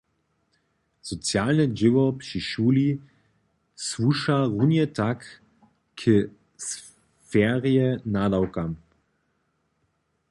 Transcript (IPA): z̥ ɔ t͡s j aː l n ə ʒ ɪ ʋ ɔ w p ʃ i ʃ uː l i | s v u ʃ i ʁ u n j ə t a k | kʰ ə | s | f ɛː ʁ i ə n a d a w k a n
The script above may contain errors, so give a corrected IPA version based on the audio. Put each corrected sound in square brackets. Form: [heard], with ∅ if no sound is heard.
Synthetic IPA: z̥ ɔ t͡s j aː l n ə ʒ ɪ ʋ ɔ [∅] p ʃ i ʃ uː l i | s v u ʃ [a] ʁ u n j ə t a k | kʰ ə | s | f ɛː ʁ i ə n a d a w k a [m]

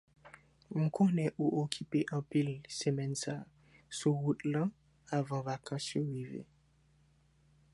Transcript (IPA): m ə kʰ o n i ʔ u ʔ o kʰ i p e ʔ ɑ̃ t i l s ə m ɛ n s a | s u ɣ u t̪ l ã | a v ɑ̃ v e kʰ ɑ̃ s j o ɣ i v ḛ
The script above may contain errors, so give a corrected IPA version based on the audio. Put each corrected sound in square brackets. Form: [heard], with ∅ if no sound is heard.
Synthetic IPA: m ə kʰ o n [ɛ] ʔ u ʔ o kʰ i p e ʔ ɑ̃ [p] i l s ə m ɛ n s a | s u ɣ u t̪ l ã | a v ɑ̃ v [a] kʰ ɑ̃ s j o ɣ i v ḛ

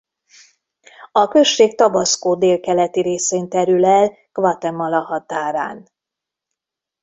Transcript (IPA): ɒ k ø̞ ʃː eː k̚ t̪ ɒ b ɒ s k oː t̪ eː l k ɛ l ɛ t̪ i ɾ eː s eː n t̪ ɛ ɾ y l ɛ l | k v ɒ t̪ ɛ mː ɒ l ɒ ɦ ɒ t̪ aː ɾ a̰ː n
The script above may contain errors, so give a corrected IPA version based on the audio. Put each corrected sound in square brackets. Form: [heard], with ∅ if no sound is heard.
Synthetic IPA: ɒ k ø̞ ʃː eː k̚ t̪ ɒ b ɒ s k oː [d̪] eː l k ɛ l ɛ t̪ i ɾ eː s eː n t̪ ɛ ɾ y l ɛ l | k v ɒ t̪ ɛ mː ɒ l ɒ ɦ ɒ t̪ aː ɾ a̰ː n

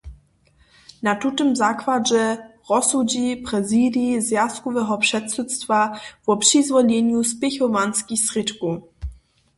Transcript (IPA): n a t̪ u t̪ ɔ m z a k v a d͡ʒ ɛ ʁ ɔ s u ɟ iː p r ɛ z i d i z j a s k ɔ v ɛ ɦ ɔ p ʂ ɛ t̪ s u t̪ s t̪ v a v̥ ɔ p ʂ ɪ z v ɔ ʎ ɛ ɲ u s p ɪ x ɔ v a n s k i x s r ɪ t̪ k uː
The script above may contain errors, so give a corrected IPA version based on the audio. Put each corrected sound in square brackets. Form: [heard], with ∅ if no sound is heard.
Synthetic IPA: n a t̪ u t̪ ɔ m z a k v a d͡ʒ ɛ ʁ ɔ s u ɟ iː p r ɛ z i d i z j a s k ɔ v ɛ ɦ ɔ p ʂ ɛ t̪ s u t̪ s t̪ v a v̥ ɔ p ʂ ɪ z v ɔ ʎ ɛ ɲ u s p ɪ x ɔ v a n s k i x s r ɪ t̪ k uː

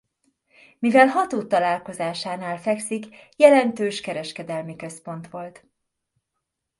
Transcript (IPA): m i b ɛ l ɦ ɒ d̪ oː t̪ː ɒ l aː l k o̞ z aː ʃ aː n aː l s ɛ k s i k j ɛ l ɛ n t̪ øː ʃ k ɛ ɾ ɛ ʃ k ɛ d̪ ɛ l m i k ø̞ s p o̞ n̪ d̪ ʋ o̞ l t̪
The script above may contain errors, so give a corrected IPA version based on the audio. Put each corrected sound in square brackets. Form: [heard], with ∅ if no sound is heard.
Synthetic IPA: m i [v] ɛ l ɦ ɒ [t̪] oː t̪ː ɒ l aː l k o̞ z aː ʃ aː n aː l [f] ɛ k s i k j ɛ l ɛ n t̪ øː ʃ k ɛ ɾ ɛ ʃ k ɛ d̪ ɛ l m i k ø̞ s p o̞ n̪ [t̪] ʋ o̞ l t̪

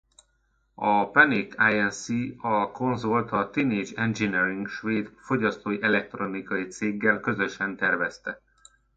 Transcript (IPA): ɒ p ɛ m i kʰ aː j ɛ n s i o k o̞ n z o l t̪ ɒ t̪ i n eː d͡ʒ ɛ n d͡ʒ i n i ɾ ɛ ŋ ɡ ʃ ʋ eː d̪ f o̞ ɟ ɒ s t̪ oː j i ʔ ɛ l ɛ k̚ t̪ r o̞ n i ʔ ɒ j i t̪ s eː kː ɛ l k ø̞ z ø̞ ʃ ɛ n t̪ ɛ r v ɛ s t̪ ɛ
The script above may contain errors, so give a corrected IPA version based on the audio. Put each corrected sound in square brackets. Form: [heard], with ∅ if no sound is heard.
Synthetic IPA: ɒ p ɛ [n] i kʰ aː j ɛ n s i [ɒ] k o̞ n z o l t̪ ɒ t̪ i n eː d͡ʒ ɛ n d͡ʒ i n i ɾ [i] ŋ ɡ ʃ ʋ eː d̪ f o̞ ɟ ɒ s t̪ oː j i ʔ ɛ l ɛ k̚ t̪ r o̞ n i [k] ɒ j i t̪ s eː [ɡː] ɛ l k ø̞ z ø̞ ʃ ɛ n t̪ ɛ r v ɛ s t̪ ɛ

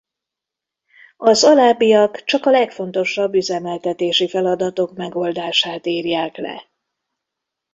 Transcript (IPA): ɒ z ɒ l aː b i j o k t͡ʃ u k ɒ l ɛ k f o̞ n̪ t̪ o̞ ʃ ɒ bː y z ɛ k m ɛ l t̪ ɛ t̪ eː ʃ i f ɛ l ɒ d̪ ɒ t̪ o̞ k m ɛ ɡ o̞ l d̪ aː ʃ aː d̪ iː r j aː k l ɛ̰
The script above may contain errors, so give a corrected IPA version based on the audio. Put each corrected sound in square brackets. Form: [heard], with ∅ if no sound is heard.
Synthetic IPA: ɒ z ɒ l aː b i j [ɒ] k t͡ʃ [ɒ] k ɒ l ɛ k f o̞ n̪ t̪ o̞ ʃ ɒ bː y z ɛ [∅] m ɛ l t̪ ɛ t̪ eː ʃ i f ɛ l ɒ d̪ ɒ t̪ o̞ k m ɛ ɡ o̞ l d̪ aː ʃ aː [t̪] iː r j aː k l ɛ̰

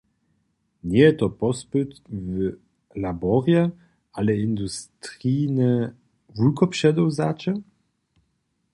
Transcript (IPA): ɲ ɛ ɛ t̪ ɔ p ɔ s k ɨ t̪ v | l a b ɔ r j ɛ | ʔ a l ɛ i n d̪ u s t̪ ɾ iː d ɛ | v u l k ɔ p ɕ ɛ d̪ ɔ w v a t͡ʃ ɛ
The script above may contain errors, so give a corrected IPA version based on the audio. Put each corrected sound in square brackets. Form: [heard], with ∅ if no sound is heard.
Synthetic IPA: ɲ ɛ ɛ t̪ ɔ p ɔ s [p] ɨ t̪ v | l a b ɔ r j ɛ | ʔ a l ɛ i n d̪ u s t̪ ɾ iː [n] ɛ | v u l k ɔ p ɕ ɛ d̪ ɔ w [z] a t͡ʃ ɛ

